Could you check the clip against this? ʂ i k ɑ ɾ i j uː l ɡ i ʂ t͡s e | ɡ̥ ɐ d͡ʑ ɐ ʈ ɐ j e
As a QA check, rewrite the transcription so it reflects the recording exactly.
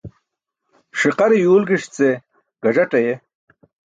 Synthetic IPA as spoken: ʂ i q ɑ ɾ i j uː l ɡ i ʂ t͡s e | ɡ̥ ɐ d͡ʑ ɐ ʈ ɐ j e